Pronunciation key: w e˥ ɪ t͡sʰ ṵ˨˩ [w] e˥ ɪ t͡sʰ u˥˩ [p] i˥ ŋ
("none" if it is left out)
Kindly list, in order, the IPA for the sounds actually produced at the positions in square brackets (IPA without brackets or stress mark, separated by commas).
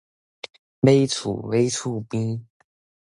w, p